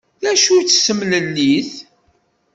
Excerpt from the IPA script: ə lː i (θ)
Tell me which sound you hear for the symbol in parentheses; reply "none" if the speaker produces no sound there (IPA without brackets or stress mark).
θ